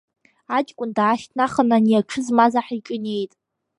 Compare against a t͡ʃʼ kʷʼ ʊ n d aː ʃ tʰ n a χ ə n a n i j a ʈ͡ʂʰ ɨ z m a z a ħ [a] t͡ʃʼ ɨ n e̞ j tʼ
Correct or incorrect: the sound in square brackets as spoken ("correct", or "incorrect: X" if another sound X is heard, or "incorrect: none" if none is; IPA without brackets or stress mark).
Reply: incorrect: i